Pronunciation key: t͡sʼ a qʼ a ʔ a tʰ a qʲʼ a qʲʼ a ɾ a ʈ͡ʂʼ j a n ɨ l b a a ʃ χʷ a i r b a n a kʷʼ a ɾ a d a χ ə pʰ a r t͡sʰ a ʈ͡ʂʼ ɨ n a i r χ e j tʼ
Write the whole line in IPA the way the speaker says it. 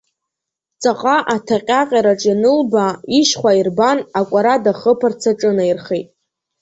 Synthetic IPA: t͡sʼ a qʼ a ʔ a tʰ a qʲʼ a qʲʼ a ɾ a ʈ͡ʂʼ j a n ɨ l b a i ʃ χʷ a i r b a n a kʷʼ a ɾ a d a χ ə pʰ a r t͡sʰ a ʈ͡ʂʼ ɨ n a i r χ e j tʼ